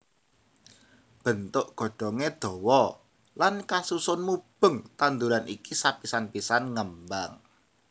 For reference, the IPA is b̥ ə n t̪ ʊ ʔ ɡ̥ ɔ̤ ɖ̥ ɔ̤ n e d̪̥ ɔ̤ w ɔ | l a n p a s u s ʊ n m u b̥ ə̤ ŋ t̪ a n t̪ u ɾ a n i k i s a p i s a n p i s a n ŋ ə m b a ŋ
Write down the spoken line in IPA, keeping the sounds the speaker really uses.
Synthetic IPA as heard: b̥ ə n t̪ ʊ ʔ ɡ̥ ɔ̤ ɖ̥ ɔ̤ ŋ e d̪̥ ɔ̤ w ɔ | l a n k a s u s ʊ n m u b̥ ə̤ ŋ t̪ a n d̪ u ɾ a n i k i s a p i s a n p i s a n ŋ ə m b a ŋ